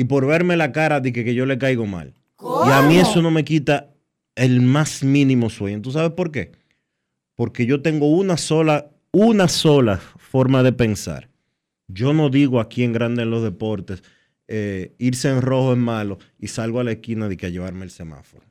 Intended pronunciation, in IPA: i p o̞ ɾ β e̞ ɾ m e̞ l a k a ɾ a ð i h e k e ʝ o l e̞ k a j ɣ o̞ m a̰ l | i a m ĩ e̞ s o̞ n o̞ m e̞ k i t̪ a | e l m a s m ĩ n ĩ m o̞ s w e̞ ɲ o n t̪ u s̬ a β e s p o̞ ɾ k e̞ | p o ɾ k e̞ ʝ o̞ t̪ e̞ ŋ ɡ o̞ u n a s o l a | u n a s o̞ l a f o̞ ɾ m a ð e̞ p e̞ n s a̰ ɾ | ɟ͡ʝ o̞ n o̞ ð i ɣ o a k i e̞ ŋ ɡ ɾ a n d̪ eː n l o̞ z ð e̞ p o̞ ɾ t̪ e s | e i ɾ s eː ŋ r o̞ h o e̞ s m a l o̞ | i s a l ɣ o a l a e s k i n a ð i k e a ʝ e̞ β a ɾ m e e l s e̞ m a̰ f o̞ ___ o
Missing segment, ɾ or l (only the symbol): ɾ